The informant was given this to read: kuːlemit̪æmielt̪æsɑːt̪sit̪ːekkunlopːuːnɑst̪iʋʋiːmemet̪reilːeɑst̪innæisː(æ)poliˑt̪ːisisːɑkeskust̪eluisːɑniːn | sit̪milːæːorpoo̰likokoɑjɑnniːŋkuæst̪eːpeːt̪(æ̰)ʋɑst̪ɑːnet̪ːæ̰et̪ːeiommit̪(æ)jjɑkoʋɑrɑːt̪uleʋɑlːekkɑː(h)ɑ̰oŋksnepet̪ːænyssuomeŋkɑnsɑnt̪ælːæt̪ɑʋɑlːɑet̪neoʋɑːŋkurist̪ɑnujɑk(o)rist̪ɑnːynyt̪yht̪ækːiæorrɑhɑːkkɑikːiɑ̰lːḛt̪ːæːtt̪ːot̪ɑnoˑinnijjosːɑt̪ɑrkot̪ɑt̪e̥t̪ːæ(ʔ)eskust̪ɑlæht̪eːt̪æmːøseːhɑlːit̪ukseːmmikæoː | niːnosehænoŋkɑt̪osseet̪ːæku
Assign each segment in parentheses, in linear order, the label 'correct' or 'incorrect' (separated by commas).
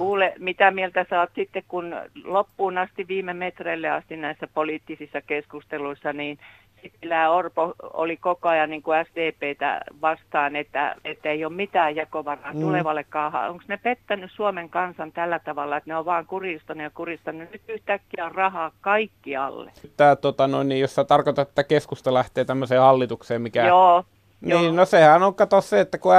correct, correct, incorrect, correct, incorrect, incorrect